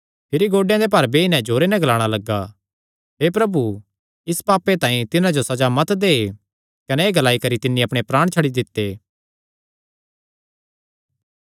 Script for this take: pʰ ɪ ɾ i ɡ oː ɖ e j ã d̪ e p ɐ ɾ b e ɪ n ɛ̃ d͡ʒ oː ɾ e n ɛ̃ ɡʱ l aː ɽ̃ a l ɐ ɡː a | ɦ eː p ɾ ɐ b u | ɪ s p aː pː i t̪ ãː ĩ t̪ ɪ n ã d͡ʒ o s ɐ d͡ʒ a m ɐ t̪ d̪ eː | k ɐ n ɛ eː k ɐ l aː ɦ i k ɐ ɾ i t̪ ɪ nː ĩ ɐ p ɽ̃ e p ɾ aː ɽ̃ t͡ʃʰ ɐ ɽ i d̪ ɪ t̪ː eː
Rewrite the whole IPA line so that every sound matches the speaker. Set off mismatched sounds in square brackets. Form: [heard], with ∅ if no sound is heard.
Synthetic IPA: pʰ ɪ ɾ i ɡ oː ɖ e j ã d̪ e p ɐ ɾ b e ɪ n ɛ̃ d͡ʒ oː ɾ e n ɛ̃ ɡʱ l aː ɽ̃ a l ɐ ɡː a | ɦ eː p ɾ ɐ b u | ɪ s p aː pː [e] t̪ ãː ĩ t̪ ɪ n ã d͡ʒ o s ɐ d͡ʒ a m ɐ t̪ d̪ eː | k ɐ n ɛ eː [ɡ] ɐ l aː [∅] i k ɐ ɾ i t̪ ɪ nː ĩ ɐ p ɽ̃ e p ɾ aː ɽ̃ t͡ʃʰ ɐ ɽ i d̪ ɪ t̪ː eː